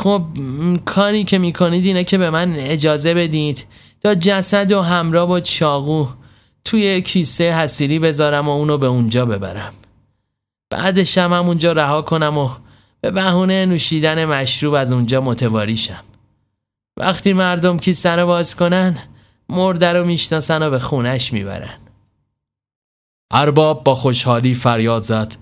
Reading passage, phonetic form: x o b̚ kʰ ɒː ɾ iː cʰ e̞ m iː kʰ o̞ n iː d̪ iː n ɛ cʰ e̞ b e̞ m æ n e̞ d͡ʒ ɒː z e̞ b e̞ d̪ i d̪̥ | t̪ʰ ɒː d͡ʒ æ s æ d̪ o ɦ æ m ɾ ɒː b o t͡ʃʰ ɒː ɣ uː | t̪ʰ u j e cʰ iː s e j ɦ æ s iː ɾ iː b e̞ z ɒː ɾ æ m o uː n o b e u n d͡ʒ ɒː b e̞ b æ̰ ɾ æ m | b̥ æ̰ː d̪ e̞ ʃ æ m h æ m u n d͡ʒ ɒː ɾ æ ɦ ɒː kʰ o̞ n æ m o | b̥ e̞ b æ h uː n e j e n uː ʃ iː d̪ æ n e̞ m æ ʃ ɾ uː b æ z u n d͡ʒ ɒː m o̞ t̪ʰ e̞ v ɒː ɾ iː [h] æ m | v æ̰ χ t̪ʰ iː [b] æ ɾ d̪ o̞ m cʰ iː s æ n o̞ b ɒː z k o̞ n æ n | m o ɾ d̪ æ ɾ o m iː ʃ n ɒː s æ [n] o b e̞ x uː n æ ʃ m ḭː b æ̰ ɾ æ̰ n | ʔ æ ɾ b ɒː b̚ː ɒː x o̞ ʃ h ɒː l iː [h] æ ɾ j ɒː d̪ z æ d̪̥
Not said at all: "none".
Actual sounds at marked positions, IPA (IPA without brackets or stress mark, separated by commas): ʃ, m, n, f